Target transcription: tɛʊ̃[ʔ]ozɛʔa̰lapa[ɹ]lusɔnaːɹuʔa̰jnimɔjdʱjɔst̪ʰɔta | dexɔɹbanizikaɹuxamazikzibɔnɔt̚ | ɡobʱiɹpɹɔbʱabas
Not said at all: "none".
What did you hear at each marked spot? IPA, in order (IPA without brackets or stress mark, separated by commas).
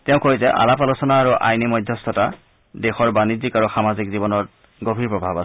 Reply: k, none